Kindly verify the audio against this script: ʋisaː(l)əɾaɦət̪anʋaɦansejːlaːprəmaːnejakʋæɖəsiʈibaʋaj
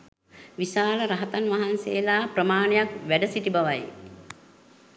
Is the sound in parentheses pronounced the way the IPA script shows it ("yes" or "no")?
yes